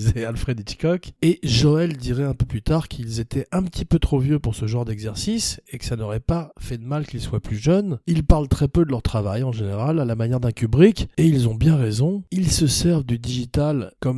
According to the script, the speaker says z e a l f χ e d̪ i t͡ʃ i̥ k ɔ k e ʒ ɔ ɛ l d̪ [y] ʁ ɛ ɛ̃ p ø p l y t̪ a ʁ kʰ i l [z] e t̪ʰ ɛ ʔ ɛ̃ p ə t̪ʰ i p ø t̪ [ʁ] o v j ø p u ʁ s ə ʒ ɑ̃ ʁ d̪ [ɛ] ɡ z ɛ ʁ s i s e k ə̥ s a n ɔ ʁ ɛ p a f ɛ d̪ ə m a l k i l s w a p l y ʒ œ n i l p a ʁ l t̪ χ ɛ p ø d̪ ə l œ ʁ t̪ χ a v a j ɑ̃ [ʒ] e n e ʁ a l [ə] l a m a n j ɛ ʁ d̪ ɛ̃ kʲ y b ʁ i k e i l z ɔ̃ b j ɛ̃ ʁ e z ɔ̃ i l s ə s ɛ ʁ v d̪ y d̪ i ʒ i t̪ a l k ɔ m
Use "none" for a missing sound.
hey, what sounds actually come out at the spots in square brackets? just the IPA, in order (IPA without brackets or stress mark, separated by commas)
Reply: i, z, χ, ɛ, ʒ, a